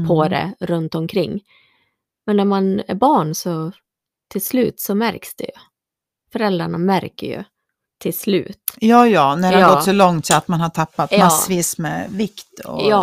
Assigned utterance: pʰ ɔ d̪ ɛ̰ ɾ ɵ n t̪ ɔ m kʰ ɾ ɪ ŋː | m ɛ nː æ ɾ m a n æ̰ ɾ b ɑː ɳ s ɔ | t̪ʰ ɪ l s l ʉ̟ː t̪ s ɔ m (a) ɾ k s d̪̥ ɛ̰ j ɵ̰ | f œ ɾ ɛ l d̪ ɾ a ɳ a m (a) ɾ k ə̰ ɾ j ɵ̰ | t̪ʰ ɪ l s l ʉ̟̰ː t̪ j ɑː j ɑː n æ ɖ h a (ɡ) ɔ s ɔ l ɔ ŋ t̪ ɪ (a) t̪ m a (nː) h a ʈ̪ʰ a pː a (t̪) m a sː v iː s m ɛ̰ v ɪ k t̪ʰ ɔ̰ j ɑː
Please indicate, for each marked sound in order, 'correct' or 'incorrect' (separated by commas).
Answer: incorrect, incorrect, correct, correct, incorrect, correct